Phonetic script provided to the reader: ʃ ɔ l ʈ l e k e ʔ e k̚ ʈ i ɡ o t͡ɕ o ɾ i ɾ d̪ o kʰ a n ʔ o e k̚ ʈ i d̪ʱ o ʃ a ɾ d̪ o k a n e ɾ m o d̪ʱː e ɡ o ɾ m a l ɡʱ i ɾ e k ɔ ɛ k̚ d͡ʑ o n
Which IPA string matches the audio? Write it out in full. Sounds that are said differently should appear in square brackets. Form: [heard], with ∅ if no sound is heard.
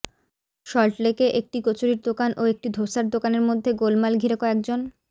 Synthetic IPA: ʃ ɔ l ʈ l e k e ʔ e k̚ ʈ i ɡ o t͡ɕ o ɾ i ɾ d̪ o [k] a n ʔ o e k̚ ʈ i d̪ʱ o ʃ a ɾ d̪ o k a n e ɾ m o d̪ʱː e ɡ o [l] m a l ɡʱ i ɾ e k ɔ ɛ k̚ d͡ʑ o n